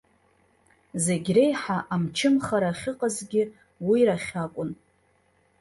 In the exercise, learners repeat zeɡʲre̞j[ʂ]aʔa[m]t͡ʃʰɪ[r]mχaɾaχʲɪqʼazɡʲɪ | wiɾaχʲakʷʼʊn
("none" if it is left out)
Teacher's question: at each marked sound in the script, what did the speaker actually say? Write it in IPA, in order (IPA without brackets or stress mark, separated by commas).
ħ, m, none